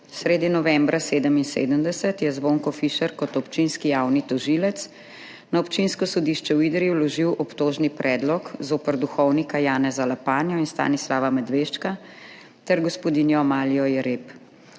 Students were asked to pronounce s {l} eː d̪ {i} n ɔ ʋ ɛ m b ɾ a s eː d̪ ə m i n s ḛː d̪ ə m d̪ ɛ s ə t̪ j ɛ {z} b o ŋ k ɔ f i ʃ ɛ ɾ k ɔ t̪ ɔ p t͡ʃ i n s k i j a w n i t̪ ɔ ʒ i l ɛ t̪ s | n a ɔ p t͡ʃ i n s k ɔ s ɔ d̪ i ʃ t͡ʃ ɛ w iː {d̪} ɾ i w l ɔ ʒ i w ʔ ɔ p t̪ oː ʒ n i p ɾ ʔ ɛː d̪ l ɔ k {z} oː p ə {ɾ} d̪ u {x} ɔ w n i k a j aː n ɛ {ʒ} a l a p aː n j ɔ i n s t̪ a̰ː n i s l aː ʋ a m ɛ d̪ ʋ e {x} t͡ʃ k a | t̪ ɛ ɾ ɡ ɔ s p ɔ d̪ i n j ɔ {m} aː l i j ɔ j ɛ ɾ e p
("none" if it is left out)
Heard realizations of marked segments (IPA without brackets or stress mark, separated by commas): ɾ, i, z, d̪, z, ɾ, x, z, ʃ, m